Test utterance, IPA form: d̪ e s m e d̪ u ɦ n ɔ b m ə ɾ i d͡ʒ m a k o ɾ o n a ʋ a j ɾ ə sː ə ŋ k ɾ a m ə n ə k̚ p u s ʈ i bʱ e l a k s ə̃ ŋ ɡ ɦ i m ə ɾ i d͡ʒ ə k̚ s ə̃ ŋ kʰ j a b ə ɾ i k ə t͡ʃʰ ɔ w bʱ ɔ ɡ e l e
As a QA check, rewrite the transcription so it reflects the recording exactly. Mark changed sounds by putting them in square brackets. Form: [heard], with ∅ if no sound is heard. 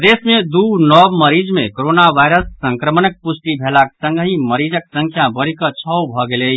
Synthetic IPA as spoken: d̪ e s m e d̪ u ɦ n ɔ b m ə ɾ i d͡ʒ m [e] k o ɾ o n a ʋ a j ɾ ə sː ə ŋ k ɾ [ə] m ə n ə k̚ p u s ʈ i bʱ e l a k s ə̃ ŋ ɡ ɦ i m ə ɾ i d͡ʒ ə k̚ s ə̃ ŋ kʰ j a b ə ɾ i k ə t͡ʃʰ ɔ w bʱ ɔ ɡ e l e